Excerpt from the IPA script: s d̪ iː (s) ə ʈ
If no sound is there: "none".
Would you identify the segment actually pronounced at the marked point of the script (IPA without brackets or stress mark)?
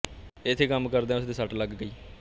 s